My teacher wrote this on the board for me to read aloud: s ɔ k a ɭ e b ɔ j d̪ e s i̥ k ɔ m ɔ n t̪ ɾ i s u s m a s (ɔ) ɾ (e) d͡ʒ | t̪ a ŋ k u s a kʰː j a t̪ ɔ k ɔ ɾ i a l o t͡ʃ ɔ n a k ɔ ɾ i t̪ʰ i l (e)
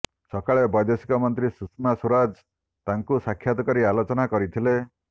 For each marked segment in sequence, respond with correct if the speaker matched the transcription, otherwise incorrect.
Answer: incorrect: u, incorrect: a, correct

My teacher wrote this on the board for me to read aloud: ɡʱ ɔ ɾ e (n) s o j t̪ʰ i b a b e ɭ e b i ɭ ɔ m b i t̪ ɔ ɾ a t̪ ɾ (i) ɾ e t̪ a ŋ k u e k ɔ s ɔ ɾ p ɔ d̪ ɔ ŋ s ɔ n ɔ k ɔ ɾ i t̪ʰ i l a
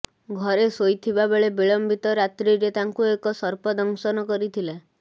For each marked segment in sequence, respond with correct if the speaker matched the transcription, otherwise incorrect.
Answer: incorrect: none, correct

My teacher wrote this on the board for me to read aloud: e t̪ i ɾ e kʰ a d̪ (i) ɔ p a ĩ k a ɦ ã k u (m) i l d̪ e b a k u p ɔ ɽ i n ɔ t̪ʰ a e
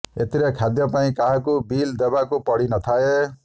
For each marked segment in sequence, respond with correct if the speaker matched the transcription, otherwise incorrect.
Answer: incorrect: j, incorrect: b

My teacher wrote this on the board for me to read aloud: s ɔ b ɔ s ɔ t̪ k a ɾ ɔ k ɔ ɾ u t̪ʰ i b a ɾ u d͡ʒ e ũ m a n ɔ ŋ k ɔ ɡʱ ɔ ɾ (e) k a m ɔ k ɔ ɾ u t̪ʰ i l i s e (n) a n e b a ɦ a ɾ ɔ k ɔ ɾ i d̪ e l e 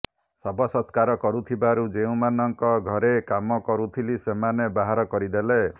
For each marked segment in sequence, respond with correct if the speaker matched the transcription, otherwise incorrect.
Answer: correct, incorrect: m

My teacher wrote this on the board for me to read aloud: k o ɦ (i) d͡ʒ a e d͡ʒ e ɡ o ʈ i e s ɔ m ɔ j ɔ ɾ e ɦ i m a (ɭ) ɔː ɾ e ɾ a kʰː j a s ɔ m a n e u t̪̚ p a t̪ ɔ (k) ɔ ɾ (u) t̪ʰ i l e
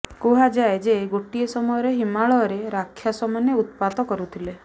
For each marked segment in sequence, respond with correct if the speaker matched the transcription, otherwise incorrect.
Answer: incorrect: a, correct, correct, correct

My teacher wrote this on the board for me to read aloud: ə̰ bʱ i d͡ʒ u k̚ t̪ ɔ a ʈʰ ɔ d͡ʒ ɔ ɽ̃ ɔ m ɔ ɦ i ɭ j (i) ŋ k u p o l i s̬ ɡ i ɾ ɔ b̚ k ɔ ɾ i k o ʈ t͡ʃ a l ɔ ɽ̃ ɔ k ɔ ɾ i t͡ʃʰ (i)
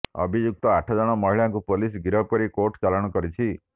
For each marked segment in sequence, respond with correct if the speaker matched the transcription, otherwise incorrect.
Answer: incorrect: a, correct

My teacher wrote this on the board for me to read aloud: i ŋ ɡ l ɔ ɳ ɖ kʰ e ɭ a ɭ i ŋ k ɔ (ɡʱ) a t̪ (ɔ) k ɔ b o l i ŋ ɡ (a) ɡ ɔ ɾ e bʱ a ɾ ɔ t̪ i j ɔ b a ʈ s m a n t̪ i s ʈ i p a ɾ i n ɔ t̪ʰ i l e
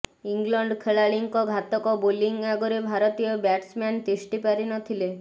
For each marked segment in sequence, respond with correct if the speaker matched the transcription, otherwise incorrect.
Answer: correct, correct, correct

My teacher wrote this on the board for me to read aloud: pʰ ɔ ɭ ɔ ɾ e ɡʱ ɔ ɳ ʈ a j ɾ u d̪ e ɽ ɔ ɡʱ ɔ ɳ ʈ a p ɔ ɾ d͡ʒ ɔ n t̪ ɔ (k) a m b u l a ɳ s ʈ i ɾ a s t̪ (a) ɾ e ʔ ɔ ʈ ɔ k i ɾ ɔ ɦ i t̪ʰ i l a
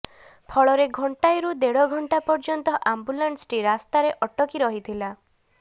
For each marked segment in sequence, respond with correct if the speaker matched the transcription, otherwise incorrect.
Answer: incorrect: ʔ, correct

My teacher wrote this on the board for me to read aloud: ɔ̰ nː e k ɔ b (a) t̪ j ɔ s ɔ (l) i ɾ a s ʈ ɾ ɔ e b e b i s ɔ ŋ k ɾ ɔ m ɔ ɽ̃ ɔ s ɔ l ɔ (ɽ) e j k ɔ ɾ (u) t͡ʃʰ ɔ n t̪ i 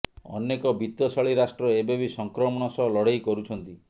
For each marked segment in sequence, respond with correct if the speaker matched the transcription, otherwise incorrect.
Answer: incorrect: i, incorrect: ɭ, correct, correct

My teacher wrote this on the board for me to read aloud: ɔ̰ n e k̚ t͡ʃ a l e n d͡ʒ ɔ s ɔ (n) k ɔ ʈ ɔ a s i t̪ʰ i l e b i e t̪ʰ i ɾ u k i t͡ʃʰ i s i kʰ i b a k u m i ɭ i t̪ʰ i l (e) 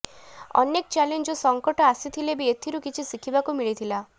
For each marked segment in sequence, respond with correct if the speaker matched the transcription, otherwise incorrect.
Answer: incorrect: ŋ, incorrect: a

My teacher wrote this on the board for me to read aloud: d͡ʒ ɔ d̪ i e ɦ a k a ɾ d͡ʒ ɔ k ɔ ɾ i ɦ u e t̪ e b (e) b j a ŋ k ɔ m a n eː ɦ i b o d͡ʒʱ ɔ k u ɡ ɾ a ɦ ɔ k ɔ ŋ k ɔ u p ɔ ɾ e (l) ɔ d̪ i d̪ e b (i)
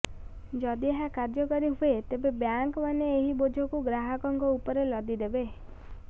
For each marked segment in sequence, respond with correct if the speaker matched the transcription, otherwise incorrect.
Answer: correct, correct, incorrect: e

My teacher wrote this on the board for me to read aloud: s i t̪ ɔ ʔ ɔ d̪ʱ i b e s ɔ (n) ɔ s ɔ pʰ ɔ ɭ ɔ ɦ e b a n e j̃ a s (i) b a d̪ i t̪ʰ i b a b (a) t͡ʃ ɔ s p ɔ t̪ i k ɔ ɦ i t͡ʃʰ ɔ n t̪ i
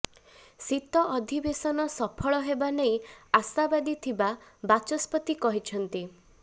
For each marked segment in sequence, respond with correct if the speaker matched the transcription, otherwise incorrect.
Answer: correct, incorrect: a, correct

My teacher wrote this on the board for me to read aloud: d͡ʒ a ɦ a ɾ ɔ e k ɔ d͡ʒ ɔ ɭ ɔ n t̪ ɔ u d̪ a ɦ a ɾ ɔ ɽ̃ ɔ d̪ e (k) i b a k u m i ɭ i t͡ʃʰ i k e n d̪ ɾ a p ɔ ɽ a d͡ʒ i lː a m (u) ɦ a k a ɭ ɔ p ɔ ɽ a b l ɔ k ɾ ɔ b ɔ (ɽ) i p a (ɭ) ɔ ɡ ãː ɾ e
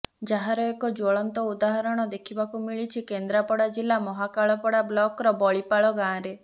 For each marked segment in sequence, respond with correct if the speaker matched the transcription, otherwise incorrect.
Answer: incorrect: kʰ, incorrect: ɔ, incorrect: ɭ, correct

